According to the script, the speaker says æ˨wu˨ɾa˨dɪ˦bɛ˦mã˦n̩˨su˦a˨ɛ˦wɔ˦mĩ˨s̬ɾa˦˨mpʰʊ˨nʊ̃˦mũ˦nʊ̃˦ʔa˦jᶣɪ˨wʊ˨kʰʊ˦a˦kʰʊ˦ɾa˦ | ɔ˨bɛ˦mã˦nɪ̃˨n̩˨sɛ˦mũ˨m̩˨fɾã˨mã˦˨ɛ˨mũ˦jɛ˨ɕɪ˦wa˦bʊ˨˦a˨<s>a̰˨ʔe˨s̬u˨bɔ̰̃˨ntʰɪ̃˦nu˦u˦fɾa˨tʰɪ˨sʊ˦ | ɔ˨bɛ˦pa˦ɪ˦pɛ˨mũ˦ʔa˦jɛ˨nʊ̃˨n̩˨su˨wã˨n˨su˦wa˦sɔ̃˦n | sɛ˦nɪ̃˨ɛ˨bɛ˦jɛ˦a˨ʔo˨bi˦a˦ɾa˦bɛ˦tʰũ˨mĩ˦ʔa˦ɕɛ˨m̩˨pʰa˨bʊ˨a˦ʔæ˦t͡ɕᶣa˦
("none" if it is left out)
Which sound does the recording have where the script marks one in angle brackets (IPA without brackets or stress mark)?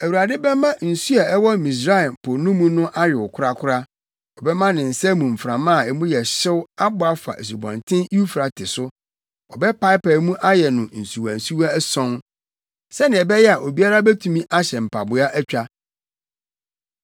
f